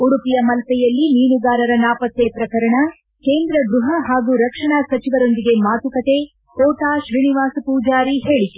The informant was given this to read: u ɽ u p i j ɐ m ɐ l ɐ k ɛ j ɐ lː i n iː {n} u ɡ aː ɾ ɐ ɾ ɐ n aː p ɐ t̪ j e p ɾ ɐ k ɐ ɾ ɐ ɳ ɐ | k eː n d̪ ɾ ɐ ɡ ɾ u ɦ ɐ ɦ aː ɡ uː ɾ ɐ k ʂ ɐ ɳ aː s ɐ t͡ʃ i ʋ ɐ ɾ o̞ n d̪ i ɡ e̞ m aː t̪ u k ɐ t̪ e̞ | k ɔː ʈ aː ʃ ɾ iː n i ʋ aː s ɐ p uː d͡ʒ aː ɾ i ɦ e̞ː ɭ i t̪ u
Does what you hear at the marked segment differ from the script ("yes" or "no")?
no